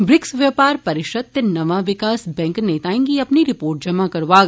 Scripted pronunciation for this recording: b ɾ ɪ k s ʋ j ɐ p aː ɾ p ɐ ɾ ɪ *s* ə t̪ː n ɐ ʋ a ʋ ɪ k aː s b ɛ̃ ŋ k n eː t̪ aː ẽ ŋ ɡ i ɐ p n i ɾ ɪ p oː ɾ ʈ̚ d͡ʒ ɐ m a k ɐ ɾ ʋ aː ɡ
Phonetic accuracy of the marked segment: incorrect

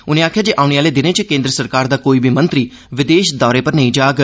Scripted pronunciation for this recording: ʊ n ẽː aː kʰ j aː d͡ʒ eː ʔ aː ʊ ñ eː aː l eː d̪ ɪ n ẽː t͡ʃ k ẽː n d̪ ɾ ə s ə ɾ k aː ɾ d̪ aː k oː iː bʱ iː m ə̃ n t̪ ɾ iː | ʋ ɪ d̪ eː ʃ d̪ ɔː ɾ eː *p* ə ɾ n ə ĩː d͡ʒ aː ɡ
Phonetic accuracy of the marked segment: correct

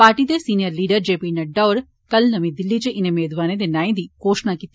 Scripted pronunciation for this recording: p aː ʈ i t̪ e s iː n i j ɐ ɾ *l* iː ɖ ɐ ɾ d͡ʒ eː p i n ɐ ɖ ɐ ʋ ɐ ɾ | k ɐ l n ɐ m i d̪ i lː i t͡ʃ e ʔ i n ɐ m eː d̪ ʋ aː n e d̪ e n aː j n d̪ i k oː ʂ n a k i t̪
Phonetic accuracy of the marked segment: correct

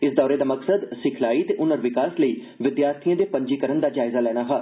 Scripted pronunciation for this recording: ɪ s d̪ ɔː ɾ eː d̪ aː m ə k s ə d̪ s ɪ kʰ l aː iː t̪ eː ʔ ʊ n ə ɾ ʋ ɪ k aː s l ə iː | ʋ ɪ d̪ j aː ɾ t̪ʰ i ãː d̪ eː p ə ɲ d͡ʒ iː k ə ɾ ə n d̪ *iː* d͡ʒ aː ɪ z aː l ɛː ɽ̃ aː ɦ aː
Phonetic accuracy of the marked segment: incorrect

